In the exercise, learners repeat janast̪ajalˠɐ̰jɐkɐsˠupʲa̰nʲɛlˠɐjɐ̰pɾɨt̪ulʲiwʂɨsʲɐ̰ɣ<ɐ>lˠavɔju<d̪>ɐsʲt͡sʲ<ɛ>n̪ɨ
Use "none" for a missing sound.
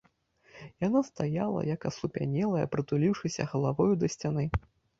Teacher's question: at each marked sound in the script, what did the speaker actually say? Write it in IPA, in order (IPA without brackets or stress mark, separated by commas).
ɐ, d̪, a